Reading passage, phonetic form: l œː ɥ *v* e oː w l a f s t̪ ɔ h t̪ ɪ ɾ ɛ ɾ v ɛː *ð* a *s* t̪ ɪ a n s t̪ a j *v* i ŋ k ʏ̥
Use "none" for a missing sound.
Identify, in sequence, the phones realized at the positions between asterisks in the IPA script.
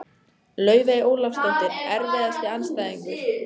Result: v, ð, s, ð

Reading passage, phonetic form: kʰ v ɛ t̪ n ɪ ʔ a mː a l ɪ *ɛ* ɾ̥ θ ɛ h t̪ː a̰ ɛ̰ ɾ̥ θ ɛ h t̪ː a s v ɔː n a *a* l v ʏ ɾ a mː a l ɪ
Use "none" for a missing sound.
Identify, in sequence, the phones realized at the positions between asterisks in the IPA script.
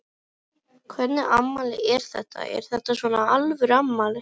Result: ɛ, a

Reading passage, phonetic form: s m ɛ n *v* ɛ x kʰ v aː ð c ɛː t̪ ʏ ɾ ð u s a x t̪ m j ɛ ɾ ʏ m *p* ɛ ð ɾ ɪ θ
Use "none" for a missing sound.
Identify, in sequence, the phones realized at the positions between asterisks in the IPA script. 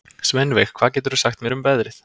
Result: v, p

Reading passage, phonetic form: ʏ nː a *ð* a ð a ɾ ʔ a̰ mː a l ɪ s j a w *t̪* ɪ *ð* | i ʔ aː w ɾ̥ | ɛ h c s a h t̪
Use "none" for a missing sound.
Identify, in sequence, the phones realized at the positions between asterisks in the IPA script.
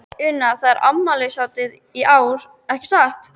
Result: θ, t̪, ð

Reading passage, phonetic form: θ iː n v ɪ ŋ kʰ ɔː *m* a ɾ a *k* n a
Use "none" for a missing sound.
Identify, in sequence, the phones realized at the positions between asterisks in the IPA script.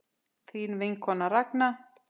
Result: n, k

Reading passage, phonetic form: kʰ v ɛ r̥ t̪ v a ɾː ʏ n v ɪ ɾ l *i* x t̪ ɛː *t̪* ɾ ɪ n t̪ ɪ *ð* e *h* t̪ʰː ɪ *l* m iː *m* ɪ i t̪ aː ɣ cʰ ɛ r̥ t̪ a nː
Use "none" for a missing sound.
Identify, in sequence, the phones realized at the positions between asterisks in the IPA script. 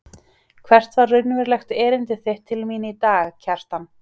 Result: ɛ, none, θ, h, l, n

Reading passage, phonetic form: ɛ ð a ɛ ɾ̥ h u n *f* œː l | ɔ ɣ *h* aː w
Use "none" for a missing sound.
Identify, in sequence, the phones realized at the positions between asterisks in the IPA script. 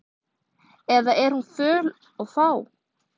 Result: f, f

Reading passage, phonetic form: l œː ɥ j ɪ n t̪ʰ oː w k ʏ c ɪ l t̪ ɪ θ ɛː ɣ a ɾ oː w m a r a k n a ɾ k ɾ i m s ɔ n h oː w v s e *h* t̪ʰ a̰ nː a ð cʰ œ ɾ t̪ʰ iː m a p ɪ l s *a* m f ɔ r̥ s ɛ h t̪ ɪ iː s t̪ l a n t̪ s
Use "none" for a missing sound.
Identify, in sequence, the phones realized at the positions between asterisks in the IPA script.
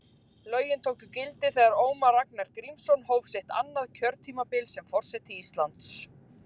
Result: h, ɛ

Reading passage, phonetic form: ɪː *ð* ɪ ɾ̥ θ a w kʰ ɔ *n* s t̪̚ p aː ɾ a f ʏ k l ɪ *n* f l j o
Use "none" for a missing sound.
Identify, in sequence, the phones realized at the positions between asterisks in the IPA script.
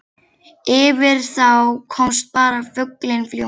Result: v, m, n

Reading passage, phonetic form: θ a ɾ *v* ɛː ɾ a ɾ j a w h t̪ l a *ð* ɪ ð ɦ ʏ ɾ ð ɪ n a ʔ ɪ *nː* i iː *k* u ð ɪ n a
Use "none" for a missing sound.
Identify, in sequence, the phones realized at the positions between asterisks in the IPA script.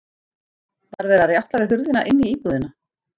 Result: v, v, nː, p

